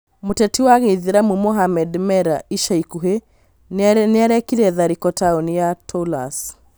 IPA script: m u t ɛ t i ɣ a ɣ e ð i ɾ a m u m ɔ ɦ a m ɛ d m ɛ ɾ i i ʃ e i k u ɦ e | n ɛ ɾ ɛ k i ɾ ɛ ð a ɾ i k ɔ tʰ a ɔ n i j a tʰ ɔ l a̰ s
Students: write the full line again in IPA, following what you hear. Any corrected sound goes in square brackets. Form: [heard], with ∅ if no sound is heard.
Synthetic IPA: m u t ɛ t i [w] a ɣ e ð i ɾ a m u m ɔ ɦ a m ɛ d m ɛ ɾ [a] i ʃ [a] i k u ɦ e | n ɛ ɾ ɛ k i ɾ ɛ ð a ɾ i k ɔ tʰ a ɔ n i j a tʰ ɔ l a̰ s